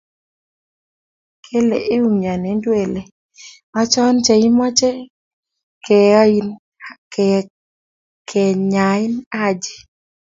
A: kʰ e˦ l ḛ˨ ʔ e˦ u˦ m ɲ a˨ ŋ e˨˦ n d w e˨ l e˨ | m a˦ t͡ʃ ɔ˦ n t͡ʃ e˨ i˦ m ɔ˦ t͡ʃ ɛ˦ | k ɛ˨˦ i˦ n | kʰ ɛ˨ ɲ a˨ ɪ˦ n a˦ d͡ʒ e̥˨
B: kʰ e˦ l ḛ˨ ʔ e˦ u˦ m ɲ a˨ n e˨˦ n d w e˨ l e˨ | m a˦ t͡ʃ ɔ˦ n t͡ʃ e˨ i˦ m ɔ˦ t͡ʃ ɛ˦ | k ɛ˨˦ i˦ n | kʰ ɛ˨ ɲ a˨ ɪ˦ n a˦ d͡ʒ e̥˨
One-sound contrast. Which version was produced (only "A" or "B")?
B